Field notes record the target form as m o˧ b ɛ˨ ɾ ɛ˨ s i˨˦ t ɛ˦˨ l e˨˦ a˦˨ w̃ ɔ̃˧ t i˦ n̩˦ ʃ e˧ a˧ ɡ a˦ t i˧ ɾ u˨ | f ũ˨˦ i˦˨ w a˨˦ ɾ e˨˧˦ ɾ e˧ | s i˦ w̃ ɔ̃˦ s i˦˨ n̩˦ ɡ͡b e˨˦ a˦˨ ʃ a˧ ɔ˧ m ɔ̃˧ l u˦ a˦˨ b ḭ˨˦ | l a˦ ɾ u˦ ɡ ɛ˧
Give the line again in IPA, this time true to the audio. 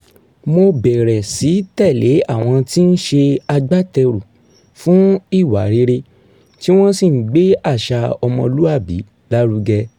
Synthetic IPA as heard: m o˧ b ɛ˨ ɾ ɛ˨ s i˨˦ t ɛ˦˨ l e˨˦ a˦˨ w̃ ɔ̃˧ t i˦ n̩˦ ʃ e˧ a˧ ɡ͡b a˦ t ɛ˧ ɾ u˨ | f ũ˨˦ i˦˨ w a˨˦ ɾ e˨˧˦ ɾ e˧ | t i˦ w̃ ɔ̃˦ s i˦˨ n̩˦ ɡ͡b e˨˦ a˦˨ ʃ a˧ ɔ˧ m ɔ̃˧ l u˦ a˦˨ b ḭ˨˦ | l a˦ ɾ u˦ ɡ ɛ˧

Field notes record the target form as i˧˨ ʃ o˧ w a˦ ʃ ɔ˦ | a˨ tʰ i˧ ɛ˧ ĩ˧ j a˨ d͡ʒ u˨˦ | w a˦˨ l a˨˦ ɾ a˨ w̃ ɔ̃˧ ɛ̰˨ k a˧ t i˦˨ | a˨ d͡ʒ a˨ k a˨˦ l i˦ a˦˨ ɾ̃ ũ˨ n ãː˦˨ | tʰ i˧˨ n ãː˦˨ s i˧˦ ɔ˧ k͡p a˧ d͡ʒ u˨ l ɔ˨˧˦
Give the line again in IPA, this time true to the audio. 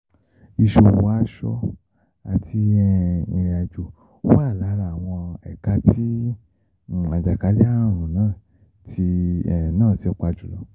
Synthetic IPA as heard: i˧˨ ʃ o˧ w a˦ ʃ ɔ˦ | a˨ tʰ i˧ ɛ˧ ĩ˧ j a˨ d͡ʒ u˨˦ | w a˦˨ l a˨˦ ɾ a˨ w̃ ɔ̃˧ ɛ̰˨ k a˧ t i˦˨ | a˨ d͡ʒ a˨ k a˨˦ l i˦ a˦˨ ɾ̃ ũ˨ n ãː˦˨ | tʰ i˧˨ n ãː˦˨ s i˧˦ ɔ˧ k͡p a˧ d͡ʒ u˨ l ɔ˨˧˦

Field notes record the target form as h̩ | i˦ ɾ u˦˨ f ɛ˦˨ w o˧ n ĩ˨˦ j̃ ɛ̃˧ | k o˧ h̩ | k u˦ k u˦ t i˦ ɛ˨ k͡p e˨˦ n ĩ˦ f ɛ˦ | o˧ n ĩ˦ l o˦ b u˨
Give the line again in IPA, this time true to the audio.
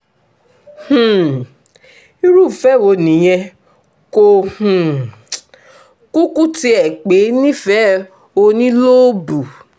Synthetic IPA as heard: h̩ | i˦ ɾ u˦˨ f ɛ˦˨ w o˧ n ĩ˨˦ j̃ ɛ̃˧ | k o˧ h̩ | k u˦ k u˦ t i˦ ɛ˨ k͡p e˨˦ n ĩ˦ f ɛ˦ | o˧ n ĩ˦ l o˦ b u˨

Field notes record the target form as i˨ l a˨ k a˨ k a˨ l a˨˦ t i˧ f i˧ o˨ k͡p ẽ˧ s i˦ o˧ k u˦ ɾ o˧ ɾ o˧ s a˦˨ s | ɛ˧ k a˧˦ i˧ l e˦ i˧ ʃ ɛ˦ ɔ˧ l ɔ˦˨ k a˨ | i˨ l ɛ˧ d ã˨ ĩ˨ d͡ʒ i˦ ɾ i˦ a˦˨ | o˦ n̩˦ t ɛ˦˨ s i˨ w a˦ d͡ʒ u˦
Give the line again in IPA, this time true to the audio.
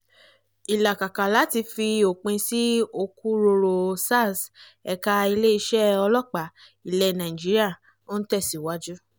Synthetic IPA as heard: i˨ l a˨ k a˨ k a˨ l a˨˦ t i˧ f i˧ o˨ k͡p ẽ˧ s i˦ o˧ k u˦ ɾ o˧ ɾ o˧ s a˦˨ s | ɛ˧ k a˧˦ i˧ l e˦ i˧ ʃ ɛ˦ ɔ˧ l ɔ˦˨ k͡p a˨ | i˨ l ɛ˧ n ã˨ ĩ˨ d͡ʒ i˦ ɾ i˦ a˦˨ | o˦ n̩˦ t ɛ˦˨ s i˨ w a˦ d͡ʒ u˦

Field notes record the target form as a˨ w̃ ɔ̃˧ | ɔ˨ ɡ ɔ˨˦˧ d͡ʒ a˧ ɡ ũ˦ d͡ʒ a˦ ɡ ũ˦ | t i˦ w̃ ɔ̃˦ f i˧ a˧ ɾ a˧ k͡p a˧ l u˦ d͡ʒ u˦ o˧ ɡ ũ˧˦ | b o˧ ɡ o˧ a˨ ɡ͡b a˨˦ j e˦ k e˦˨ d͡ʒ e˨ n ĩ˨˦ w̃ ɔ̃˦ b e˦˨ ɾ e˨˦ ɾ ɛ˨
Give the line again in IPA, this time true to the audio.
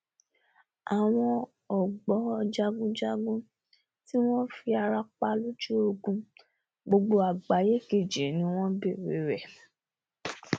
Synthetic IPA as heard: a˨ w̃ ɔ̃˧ | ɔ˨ ɡ͡b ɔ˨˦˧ d͡ʒ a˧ ɡ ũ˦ d͡ʒ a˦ ɡ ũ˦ | t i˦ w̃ ɔ̃˦ f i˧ a˧ ɾ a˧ k͡p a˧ l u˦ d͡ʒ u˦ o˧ ɡ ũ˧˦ | ɡ͡b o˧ ɡ͡b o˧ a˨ ɡ͡b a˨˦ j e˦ k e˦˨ d͡ʒ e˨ n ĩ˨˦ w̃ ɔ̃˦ b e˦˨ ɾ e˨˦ ɾ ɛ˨

